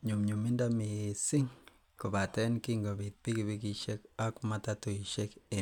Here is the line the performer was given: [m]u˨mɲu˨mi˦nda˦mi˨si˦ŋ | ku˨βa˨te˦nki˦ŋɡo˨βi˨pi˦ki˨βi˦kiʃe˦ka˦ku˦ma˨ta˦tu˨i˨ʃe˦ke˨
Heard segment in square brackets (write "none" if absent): ɲ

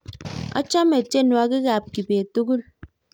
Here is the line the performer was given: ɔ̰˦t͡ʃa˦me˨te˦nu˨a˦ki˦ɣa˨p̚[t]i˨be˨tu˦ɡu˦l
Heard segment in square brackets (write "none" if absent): k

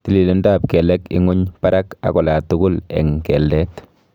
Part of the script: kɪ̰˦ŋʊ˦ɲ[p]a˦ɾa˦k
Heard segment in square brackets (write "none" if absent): p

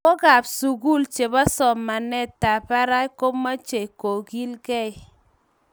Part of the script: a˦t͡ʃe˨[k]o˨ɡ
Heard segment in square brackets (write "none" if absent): k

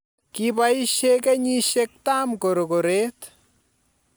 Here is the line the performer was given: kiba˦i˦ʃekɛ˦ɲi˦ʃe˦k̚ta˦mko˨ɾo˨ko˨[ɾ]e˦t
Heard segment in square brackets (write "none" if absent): ɾ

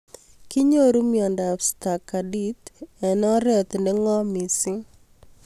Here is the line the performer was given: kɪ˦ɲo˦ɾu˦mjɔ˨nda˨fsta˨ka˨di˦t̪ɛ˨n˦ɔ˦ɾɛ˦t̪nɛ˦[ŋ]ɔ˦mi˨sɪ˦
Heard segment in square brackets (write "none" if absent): ŋ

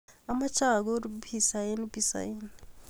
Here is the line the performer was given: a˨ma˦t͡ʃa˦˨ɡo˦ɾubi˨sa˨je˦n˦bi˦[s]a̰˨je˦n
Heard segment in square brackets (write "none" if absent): s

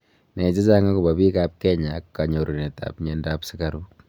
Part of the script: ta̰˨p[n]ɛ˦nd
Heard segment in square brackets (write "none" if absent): ɲ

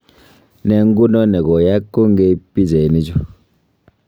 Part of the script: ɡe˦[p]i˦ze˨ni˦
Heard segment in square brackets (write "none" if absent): p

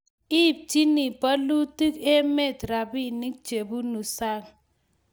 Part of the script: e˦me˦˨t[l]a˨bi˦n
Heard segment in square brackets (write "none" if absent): ɾ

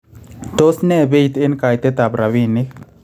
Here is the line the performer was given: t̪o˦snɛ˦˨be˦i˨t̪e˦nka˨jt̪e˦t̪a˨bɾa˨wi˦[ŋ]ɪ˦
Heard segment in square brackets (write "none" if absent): n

